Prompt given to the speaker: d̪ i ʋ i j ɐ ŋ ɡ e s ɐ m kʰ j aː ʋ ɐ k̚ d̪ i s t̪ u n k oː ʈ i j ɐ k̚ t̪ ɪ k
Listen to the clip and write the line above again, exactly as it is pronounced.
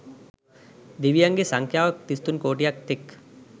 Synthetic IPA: d̪ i ʋ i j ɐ ŋ ɡ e s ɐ ŋ kʰ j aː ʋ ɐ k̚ t̪ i s t̪ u n k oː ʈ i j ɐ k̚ t̪ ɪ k

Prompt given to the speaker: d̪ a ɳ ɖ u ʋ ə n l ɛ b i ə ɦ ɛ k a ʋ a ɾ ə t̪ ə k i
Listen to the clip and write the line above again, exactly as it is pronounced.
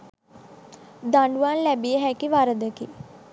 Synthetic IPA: d̪ a ɳ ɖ u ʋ a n l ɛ b i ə ɦ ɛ k i ʋ a ɾ ə d̪ ə k i

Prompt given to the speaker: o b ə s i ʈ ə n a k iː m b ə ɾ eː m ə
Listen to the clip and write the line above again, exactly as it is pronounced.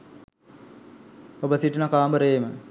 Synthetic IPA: o b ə s i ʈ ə n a k aː m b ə ɾ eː m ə

